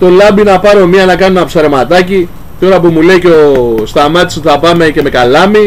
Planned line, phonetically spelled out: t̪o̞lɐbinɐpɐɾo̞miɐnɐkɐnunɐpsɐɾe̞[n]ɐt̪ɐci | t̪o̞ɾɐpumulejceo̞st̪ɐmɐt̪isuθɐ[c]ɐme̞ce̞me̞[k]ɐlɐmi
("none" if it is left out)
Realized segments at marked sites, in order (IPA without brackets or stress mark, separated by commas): m, p, k